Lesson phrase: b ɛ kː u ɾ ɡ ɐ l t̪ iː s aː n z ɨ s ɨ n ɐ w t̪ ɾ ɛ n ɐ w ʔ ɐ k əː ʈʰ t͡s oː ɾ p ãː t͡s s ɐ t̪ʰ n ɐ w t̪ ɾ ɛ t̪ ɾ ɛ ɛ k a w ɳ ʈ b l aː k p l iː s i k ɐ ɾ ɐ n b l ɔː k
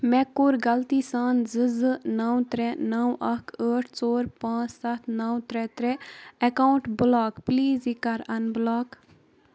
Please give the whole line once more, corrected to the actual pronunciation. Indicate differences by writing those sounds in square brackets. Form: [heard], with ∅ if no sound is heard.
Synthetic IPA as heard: [m] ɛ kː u ɾ ɡ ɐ l t̪ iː s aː n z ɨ [z] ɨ n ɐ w t̪ ɾ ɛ n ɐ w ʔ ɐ k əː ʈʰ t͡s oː ɾ p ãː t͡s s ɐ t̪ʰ n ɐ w t̪ ɾ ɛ t̪ ɾ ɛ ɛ k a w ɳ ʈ b l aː k p l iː [z] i k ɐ ɾ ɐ n b l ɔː k